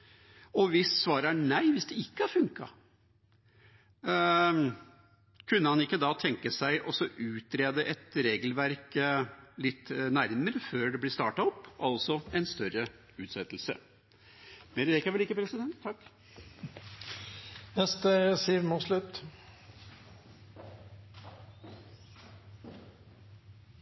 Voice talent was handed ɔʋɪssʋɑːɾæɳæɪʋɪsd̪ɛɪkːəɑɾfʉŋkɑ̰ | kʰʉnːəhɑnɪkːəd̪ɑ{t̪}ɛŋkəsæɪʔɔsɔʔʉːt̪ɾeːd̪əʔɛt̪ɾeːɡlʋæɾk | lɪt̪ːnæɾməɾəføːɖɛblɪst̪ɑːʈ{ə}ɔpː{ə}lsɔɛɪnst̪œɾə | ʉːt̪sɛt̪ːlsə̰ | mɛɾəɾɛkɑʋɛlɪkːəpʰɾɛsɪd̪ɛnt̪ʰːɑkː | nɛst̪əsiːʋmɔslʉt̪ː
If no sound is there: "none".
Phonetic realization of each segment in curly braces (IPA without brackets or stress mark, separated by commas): t̪ʰ, ɑ, ɑ